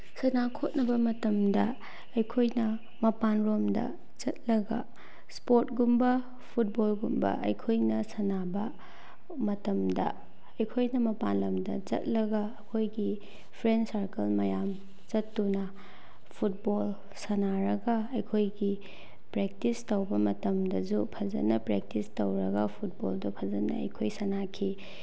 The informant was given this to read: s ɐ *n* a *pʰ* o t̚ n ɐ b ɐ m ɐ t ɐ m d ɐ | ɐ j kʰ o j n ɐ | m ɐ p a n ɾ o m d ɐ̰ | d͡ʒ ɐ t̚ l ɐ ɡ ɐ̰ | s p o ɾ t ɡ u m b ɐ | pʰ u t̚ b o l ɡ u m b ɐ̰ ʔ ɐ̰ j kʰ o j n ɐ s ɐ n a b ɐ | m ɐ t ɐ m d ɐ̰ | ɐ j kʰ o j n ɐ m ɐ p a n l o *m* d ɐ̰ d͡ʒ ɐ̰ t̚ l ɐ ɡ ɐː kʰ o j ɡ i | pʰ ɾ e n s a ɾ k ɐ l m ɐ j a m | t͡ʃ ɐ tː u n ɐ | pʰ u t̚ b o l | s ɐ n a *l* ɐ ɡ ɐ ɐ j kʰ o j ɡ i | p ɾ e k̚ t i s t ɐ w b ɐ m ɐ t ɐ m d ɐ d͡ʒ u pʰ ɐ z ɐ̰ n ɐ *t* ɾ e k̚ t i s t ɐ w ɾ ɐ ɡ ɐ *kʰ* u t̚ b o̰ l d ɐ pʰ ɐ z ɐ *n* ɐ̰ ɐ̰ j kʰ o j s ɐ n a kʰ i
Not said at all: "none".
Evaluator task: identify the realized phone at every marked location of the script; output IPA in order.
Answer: n, kʰ, m, ɾ, p, pʰ, n

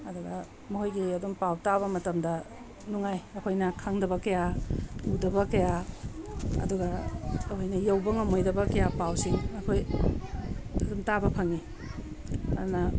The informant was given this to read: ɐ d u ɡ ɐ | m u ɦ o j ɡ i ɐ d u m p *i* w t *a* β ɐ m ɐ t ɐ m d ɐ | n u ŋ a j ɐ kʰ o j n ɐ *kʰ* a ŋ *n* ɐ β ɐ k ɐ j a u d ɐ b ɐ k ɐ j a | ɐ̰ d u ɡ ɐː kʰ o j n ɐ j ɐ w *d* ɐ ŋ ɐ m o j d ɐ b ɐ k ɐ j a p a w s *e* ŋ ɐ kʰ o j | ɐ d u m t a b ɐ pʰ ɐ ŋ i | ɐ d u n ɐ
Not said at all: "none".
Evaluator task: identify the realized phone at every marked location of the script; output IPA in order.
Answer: a, a, kʰ, d, b, i

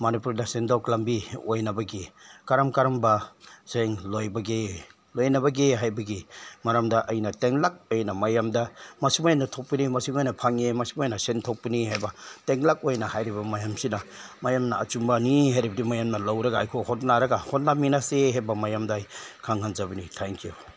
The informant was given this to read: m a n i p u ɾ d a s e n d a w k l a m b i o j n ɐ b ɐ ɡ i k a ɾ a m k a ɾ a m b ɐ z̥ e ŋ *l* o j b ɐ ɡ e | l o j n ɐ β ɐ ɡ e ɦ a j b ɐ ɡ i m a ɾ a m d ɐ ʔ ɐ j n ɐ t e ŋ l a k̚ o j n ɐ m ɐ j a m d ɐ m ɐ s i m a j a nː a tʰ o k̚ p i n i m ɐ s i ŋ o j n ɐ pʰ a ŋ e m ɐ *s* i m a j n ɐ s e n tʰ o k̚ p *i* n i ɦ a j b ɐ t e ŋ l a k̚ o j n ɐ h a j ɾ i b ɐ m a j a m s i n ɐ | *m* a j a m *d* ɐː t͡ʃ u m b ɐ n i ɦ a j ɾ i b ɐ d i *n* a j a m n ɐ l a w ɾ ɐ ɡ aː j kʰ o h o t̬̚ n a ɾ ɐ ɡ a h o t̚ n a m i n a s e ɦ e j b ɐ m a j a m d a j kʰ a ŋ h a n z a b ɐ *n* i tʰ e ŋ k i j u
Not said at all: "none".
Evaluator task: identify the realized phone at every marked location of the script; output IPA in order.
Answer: l, s, i, m, n, m, n

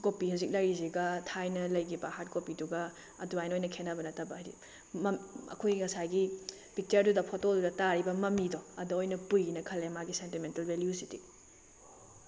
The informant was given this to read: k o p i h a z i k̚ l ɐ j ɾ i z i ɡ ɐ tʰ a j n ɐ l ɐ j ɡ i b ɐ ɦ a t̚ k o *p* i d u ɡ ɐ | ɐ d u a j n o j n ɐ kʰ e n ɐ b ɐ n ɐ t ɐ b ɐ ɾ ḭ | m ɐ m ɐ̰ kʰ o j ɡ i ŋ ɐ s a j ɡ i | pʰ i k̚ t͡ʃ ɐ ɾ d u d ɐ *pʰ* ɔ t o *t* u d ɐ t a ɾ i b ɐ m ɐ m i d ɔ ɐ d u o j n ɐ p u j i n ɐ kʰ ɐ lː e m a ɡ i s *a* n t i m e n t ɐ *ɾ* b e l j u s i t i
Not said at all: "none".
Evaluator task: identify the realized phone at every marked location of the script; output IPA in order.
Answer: p, pʰ, d, e, l

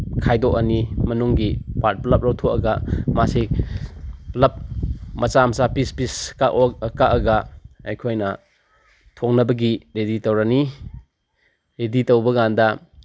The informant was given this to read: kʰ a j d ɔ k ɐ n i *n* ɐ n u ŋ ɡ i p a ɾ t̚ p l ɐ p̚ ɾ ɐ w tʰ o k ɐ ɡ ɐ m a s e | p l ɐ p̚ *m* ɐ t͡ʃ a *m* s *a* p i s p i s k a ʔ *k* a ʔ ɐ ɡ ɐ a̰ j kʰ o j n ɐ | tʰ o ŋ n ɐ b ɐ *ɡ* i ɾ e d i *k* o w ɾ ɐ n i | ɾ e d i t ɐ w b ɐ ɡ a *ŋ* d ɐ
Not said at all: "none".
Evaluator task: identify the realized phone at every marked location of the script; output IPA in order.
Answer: m, m, m, a, k, ɡ, t, n

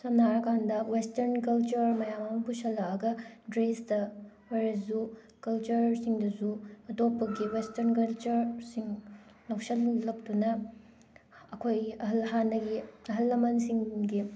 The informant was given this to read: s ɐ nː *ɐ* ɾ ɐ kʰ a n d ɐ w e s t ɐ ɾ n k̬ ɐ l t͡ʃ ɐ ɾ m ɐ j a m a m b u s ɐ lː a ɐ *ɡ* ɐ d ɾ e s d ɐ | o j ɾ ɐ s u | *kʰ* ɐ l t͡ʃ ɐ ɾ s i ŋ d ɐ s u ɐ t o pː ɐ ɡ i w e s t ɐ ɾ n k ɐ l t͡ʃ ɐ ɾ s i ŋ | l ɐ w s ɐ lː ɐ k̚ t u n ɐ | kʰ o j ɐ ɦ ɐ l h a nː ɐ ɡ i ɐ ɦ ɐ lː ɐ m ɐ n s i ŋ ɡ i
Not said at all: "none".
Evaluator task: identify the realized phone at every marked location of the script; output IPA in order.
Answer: a, ɡ, k

